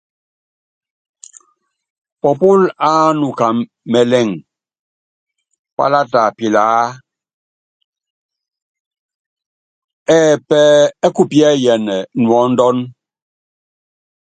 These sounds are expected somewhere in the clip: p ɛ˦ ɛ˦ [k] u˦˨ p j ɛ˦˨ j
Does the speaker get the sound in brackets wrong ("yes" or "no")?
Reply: no